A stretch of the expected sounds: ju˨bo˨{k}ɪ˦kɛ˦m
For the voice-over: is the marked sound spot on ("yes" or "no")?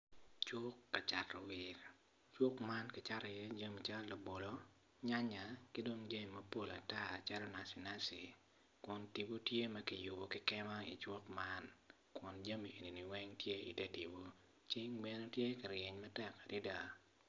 yes